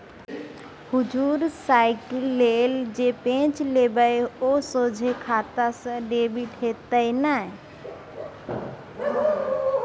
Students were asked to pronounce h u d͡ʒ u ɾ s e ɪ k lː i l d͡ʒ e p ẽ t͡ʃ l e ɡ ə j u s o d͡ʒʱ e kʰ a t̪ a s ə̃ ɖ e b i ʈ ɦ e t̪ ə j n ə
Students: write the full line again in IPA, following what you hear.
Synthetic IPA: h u d͡ʒ u ɾ s a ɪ k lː e l d͡ʒ e p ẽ t͡ʃ l e b ə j o s o d͡ʒʱ e kʰ a t̪ a s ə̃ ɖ e b i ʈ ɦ e t̪ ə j n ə